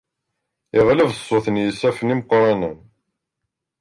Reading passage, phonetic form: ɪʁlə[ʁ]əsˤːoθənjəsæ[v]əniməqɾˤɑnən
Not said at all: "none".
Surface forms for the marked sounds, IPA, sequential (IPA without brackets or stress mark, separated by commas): v, f